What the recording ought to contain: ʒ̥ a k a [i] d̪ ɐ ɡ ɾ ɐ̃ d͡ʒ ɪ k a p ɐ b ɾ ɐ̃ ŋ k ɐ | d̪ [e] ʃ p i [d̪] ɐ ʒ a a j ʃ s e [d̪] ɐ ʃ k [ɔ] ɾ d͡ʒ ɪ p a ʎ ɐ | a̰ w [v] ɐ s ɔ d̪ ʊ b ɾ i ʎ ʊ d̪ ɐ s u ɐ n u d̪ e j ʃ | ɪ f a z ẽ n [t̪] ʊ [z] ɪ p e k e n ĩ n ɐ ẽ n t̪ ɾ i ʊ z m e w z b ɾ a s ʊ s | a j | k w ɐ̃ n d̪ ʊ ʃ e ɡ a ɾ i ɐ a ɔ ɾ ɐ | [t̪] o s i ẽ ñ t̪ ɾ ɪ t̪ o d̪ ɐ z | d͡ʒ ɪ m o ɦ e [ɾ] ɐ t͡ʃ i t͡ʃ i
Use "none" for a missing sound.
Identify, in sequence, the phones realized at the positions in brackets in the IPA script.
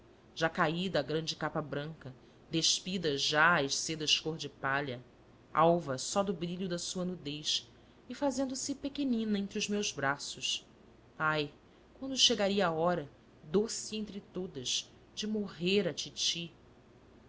i, e, d̪, d̪, o, v, d̪, s, d̪, ɾ

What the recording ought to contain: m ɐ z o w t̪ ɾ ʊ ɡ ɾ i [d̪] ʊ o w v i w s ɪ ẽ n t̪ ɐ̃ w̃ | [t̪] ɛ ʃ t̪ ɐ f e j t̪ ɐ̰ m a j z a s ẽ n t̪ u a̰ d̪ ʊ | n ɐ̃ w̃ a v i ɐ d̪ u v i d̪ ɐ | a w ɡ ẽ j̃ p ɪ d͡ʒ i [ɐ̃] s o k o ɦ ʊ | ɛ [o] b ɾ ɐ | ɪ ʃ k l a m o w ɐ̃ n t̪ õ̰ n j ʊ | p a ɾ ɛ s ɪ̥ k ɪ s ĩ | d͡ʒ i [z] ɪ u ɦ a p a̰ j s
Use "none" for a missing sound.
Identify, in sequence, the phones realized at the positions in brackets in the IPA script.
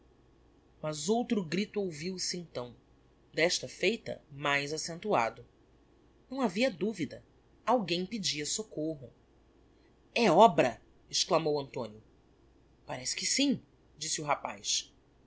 t̪, d̪, ɐ, ɔ, s

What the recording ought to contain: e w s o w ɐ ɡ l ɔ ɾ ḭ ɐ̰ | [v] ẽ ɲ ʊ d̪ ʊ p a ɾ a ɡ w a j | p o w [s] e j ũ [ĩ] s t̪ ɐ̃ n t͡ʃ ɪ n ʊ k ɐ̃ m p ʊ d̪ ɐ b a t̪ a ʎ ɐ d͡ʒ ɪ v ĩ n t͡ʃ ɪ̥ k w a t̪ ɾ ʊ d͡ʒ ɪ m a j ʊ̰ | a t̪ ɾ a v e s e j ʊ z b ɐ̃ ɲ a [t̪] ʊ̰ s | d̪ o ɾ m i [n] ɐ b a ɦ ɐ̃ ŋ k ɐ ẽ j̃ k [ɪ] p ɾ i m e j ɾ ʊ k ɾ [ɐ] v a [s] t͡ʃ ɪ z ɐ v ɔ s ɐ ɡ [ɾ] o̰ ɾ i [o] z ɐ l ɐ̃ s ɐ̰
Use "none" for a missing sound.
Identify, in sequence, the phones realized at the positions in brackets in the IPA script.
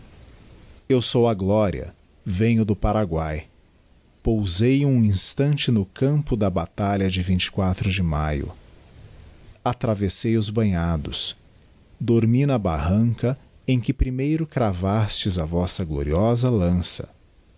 v, z, ĩ, d̪, n, ɪ, a, s, l, ɔ

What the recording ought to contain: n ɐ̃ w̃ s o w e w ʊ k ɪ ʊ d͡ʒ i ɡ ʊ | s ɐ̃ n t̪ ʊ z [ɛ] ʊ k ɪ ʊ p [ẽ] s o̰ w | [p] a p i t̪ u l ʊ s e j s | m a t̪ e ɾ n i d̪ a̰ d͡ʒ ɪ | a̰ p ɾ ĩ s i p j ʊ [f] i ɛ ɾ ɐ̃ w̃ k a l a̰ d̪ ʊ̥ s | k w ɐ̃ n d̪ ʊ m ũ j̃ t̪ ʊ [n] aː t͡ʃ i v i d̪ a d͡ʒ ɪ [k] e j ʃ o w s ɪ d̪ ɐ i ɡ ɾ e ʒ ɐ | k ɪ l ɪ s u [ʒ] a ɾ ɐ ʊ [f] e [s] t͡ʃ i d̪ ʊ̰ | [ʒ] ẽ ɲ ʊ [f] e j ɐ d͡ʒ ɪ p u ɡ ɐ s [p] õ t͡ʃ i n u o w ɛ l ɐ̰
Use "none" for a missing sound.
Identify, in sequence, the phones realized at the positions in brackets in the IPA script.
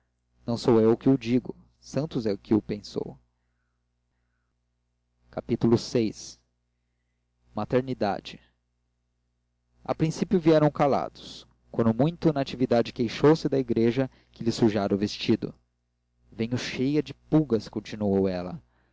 ɛ, ẽ, k, v, n, k, ʒ, v, s, v, ʃ, k

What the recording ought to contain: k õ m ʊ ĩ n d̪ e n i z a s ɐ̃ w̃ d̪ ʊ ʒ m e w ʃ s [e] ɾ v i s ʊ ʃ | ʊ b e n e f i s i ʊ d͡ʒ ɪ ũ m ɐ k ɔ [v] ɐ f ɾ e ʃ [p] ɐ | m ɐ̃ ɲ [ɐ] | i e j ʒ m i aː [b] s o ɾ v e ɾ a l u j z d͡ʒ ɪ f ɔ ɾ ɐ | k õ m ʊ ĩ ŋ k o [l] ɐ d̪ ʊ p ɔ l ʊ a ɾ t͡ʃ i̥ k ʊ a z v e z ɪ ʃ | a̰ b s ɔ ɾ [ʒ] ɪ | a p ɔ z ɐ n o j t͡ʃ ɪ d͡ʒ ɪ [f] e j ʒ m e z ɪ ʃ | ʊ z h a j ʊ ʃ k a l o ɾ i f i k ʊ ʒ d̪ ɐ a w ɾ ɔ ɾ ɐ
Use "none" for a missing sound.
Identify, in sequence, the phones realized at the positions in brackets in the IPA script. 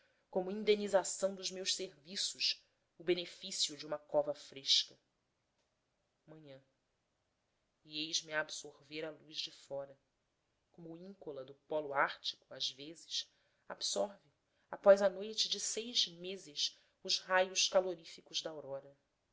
e, v, k, ɐ̃, b, l, v, s

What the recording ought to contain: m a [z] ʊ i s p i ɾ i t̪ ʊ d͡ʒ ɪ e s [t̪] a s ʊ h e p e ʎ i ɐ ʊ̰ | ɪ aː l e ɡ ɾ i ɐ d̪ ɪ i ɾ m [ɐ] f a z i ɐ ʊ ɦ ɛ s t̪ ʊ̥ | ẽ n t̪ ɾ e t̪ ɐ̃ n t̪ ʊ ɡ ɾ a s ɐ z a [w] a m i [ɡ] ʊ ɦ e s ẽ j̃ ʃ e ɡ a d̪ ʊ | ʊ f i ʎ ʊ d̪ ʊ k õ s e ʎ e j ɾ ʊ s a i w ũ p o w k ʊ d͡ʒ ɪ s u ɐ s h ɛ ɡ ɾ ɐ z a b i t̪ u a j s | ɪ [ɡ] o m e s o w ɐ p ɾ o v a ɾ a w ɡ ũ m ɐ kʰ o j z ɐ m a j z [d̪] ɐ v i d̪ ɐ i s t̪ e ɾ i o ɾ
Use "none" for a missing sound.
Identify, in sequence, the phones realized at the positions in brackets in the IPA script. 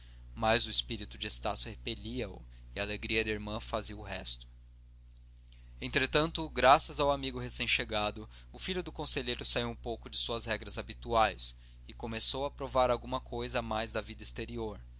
z, t̪, ɐ̃, w, ɡ, k, d̪

